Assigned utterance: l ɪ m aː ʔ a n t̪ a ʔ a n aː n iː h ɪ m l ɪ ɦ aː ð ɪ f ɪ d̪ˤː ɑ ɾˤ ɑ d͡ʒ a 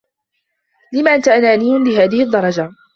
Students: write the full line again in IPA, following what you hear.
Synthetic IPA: l ɪ m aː ʔ a n t̪ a ʔ a n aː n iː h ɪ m l ɪ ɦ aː ð ɪ h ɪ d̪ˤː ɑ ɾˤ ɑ d͡ʒ a